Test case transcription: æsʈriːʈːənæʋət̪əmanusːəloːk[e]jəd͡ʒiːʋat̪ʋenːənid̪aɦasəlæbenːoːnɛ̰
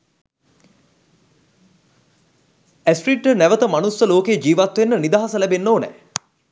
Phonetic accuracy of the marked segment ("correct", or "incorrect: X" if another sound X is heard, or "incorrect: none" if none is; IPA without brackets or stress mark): correct